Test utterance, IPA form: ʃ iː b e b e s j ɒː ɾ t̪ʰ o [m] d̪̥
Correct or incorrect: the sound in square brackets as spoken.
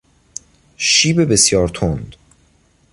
incorrect: n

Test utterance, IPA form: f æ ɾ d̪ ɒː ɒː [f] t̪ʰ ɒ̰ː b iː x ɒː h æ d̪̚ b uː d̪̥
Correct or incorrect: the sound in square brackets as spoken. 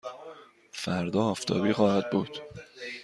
correct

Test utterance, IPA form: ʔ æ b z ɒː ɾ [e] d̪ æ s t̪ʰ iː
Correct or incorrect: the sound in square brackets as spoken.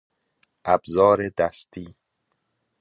correct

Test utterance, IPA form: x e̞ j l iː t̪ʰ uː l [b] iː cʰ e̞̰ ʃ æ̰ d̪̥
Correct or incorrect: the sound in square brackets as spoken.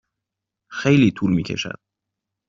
incorrect: m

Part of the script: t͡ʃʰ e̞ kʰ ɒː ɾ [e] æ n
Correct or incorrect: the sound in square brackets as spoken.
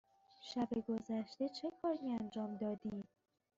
incorrect: i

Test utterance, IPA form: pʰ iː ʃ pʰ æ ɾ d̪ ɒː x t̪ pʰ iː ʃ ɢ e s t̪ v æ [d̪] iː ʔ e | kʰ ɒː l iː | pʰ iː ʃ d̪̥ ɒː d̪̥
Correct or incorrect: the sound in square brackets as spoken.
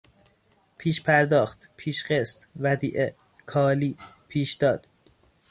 correct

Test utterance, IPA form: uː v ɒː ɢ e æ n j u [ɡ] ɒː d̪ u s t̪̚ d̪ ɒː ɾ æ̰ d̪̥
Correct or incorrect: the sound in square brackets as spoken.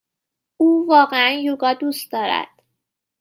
correct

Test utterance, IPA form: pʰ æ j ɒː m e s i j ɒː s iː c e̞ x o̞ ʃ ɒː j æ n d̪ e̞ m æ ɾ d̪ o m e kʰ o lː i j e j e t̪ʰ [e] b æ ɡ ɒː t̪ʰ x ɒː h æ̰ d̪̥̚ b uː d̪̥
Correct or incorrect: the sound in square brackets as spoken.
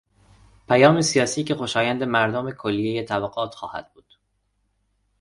incorrect: æ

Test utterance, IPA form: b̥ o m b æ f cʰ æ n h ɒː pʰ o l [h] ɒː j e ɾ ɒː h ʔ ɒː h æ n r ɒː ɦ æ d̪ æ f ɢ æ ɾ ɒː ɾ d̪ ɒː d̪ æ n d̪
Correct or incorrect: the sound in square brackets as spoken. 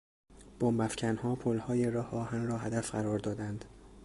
correct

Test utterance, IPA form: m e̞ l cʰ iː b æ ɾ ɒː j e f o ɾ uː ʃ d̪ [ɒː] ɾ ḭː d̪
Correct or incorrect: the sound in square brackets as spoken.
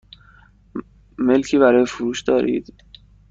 correct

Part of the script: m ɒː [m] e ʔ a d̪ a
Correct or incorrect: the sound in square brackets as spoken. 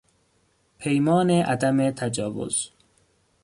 incorrect: n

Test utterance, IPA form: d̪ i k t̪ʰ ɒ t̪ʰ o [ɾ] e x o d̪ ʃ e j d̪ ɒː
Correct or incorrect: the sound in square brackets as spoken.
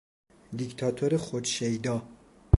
correct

